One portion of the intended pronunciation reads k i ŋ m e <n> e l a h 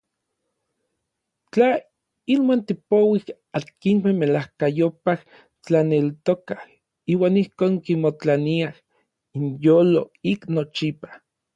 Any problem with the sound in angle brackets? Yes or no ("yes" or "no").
yes